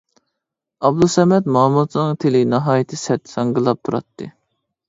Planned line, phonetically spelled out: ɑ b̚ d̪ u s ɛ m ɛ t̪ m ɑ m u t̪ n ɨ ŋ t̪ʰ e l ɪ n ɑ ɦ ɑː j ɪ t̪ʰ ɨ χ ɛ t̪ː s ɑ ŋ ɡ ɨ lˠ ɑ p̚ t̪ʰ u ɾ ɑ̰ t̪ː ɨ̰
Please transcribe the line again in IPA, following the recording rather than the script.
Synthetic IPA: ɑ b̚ d̪ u s ɛ m ɛ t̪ m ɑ m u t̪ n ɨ ŋ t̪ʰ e l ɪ n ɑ ɦ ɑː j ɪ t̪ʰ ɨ s ɛ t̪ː s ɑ ŋ ɡ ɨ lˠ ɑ p̚ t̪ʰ u ɾ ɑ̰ t̪ː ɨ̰